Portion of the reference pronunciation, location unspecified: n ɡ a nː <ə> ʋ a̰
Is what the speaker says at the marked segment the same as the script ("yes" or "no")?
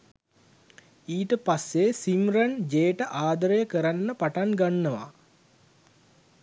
yes